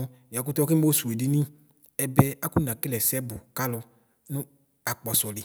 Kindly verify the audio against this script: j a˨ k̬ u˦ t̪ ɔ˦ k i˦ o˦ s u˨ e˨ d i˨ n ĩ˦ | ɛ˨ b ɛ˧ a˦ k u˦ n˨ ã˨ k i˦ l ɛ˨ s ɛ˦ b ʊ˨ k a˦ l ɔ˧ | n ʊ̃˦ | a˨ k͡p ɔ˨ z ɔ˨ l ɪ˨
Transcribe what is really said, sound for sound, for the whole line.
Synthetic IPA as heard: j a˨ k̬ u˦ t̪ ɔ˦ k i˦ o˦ s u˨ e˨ d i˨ n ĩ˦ | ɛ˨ b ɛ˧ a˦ k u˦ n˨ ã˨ k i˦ l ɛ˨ s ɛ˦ b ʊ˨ k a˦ l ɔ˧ | n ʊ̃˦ | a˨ k͡p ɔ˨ s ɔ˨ l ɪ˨